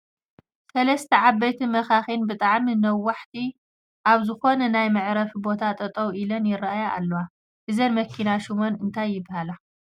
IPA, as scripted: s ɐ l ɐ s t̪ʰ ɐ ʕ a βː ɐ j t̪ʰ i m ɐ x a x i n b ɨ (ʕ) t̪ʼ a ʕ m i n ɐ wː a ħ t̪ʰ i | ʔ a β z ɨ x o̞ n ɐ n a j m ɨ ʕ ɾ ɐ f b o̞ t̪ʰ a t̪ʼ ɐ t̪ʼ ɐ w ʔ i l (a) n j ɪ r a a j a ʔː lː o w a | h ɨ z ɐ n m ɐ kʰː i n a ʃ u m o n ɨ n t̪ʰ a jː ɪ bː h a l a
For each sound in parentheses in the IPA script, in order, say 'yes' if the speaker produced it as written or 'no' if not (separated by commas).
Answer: no, no